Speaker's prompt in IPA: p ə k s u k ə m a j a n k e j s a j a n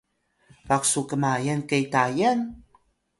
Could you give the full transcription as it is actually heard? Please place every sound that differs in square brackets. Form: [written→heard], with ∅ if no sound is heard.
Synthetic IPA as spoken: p [ə→a] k s u k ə m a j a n k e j [s→t] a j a n

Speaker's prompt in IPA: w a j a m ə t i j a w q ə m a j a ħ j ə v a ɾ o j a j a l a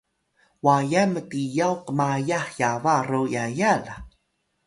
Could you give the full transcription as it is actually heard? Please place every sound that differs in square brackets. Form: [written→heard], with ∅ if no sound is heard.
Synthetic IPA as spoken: w a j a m ə t i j a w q ə m a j a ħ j [ə→a] v a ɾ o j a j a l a

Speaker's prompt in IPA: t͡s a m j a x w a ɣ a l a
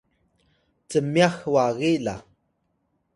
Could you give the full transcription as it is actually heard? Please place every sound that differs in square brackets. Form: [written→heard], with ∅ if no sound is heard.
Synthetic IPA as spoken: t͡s [a→ə] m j a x w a ɣ [a→i] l a

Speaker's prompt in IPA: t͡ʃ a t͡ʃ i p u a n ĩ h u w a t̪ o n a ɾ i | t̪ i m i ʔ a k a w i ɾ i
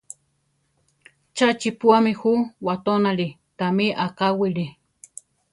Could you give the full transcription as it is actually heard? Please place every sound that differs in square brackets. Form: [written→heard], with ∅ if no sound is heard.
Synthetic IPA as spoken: t͡ʃ a t͡ʃ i p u a [n→m] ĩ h u w a t̪ o n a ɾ i | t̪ [i→a] m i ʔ a k a w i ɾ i

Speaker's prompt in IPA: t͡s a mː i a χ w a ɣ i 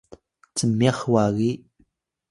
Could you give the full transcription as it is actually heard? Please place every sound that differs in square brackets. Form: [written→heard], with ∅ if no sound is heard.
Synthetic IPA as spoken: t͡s [a→ə] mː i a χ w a ɣ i

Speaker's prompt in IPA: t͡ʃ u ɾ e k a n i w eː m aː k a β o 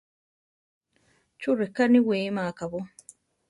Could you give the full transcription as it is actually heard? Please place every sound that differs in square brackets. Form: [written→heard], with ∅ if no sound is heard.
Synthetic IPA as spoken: t͡ʃ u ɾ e k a n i w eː m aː k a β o

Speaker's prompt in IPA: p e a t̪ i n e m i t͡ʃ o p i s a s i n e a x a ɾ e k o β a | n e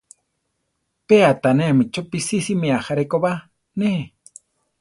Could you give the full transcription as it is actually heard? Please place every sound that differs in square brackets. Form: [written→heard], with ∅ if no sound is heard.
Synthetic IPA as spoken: p e a t̪ [i→a] n e m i t͡ʃ o p i s [a→i] s i [n→m] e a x a ɾ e k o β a | n e

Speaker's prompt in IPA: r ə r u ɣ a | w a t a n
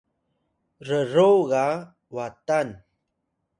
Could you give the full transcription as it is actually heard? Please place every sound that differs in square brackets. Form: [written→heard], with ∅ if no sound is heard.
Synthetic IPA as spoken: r ə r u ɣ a | w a t a n

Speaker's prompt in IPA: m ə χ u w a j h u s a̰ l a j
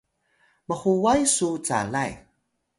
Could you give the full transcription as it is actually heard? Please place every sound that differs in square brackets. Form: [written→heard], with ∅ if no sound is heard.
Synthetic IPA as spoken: m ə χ u w a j [h→s] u [s→t͡s] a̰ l a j

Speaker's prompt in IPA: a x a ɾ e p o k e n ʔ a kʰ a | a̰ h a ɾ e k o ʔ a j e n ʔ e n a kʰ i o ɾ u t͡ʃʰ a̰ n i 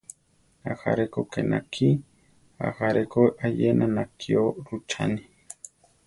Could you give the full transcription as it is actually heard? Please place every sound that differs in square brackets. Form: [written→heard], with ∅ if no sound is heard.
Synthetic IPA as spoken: a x a ɾ e [p→k] o k e n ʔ a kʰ [a→i] | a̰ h a ɾ e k o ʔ a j e n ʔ [e→a] n a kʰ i o ɾ u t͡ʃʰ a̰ n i

